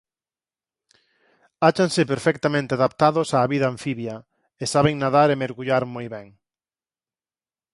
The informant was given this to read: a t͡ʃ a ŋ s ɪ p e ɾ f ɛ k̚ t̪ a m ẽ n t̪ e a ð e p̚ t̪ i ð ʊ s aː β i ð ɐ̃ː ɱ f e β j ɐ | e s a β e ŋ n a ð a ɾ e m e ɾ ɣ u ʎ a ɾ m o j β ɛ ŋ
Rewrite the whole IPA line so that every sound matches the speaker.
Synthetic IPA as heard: a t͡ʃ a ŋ s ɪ p e ɾ f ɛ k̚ t̪ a m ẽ n t̪ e a ð a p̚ t̪ a ð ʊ s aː β i ð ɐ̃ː ɱ f i β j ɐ | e s a β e ŋ n a ð a ɾ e m e ɾ ɣ u ʎ a ɾ m o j β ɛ ŋ